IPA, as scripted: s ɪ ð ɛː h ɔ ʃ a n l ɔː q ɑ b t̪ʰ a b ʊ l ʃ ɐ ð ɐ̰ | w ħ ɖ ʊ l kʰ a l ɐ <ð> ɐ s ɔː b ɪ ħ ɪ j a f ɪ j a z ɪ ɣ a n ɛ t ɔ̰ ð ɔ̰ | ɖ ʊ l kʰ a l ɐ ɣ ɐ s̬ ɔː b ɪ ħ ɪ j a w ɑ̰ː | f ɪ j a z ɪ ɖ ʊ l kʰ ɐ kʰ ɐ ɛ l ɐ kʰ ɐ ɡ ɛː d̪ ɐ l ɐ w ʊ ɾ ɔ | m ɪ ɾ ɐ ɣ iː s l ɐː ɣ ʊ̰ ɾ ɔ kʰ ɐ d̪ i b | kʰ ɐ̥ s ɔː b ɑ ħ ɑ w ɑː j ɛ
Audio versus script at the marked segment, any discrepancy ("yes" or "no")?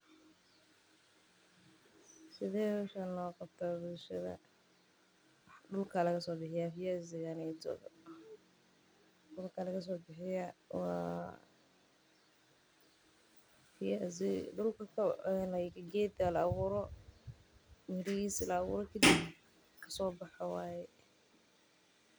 yes